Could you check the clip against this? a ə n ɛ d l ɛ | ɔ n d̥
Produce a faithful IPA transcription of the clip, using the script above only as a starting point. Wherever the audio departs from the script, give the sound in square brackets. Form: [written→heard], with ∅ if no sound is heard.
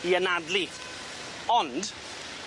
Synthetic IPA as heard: [a→i] ə n [ɛ→a] d l [ɛ→i] | ɔ n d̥